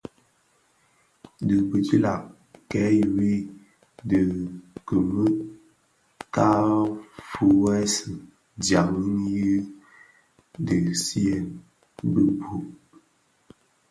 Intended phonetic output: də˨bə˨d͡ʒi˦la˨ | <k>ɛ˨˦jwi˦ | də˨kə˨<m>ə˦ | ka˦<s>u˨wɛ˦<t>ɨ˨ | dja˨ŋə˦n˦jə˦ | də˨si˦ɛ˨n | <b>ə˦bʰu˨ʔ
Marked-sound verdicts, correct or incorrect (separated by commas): correct, correct, incorrect, incorrect, correct